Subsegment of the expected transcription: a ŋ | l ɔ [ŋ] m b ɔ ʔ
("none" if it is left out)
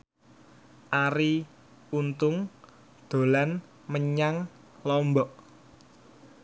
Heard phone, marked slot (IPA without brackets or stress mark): none